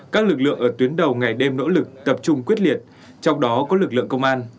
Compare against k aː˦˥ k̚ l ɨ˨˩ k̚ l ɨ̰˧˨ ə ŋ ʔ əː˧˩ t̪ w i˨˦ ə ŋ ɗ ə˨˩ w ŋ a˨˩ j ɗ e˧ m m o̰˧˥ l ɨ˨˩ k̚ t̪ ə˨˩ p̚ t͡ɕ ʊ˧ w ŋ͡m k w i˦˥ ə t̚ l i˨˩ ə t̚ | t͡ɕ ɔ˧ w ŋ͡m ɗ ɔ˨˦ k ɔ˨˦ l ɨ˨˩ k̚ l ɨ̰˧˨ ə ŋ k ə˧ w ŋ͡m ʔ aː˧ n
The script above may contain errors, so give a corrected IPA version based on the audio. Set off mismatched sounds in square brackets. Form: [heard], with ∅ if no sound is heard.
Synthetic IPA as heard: k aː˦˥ k̚ l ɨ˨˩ k̚ l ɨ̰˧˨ ə ŋ ʔ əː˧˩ t̪ w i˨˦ ə [n] ɗ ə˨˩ w ŋ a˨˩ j ɗ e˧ m [n] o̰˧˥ l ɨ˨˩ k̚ t̪ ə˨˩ p̚ t͡ɕ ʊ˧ [∅] ŋ͡m k w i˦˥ ə t̚ l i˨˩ ə t̚ | t͡ɕ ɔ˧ w ŋ͡m ɗ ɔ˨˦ k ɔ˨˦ l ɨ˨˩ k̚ l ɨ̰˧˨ ə ŋ k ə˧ w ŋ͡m ʔ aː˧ n